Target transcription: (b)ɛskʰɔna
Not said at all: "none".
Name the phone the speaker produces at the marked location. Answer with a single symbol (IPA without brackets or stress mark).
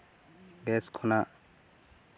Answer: ɡ